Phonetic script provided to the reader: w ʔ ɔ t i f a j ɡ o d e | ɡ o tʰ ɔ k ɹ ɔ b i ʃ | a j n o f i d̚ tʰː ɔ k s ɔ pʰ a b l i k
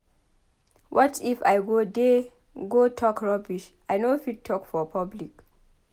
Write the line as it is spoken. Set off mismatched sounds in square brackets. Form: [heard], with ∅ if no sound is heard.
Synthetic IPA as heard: w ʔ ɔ t i f a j ɡ o d e | ɡ o tʰ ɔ k ɹ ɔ b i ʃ | a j n o f i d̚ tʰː ɔ k [f] ɔ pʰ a b l i k